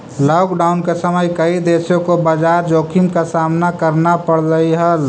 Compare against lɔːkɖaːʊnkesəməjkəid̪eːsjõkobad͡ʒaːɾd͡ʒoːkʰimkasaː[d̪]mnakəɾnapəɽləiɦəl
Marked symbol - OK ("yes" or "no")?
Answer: no